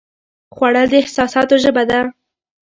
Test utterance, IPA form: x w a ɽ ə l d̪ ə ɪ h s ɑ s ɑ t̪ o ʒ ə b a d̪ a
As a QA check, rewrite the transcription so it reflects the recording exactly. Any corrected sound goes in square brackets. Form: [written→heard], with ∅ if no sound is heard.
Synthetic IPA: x w a ɽ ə l d̪ ə ɪ h s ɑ s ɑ t̪ o ʒ ə b a d̪ a